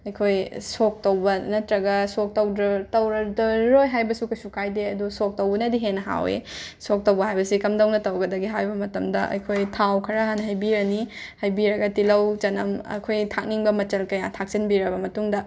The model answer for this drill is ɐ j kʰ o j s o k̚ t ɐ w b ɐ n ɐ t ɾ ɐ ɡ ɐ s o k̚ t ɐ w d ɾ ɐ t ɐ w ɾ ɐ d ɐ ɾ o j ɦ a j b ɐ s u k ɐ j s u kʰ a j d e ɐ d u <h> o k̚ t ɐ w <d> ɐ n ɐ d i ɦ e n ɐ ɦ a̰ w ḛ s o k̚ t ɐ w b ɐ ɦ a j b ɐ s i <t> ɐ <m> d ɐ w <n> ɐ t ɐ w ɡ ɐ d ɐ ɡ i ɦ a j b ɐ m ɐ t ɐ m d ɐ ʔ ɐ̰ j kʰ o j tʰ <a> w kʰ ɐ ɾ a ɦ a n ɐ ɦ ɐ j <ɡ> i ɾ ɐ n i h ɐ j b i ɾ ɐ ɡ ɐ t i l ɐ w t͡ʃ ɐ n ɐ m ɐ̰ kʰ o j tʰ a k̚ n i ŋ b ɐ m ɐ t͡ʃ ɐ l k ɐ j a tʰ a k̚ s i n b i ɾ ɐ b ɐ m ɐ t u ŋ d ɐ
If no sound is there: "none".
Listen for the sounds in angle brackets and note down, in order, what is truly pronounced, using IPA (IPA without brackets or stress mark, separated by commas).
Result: s, b, k, m, n, a, b